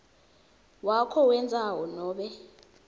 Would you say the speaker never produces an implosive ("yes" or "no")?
no